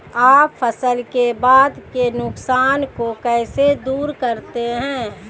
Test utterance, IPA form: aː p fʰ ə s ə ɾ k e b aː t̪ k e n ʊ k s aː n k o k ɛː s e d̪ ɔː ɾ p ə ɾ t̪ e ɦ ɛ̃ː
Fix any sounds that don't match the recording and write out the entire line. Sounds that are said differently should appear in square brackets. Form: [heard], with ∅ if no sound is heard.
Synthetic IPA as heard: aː p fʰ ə s ə [l] k e b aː [d̪] k e n ʊ k s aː n k o k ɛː s e d̪ [uː] ɾ [k] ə ɾ t̪ e ɦ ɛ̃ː